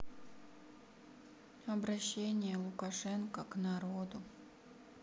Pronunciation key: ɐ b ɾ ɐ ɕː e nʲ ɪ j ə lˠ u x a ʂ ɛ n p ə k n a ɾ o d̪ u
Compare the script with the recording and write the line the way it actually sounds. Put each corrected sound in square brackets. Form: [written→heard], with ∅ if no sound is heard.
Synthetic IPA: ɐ b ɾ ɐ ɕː e nʲ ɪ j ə lˠ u [x→k] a ʂ ɛ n [p→k] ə k n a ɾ o d̪ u